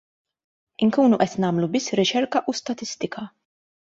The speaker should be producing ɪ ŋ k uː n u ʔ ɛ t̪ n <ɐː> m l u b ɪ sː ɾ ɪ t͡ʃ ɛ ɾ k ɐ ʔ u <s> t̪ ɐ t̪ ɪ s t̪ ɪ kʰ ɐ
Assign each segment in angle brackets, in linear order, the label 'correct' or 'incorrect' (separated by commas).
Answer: correct, correct